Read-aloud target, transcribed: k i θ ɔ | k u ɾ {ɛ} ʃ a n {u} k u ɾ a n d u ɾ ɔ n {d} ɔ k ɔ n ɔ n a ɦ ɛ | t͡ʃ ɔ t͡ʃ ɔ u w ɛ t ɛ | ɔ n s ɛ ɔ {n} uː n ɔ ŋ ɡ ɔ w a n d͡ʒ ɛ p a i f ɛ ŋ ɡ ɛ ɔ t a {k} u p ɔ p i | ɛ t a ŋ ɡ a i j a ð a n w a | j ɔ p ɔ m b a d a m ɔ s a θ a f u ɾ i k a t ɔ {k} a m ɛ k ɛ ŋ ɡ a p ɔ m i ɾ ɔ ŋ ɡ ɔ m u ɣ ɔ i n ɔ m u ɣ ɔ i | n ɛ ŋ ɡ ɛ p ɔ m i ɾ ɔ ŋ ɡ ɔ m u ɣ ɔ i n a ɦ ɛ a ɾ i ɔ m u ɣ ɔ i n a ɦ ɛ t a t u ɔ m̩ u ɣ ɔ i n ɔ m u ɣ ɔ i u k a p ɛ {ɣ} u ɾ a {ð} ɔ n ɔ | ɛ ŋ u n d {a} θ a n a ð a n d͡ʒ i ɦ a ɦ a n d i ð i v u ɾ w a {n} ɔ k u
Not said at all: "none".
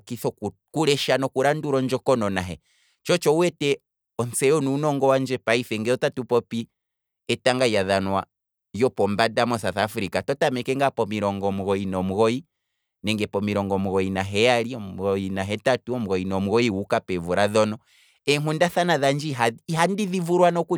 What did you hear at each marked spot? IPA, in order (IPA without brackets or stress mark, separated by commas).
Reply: ɛ, ɔ, d͡ʒ, n, t, t, v, ð, a, n